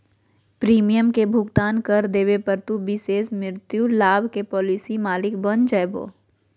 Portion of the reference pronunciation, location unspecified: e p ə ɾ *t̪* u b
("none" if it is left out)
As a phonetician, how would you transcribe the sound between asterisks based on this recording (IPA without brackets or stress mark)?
t̪